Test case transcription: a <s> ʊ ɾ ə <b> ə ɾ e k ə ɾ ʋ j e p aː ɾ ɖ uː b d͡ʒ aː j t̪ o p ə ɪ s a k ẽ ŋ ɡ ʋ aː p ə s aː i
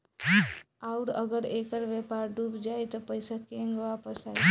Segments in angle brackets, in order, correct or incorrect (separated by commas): incorrect, incorrect